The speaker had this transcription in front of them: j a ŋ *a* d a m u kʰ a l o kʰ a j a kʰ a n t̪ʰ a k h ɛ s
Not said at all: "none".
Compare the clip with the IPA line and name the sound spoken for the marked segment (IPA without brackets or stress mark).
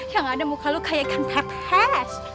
a